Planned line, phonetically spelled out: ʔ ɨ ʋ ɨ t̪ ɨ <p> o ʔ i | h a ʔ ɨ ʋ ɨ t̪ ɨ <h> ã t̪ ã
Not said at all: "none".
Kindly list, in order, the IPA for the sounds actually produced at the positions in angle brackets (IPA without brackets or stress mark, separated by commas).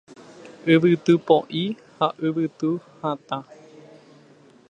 p, h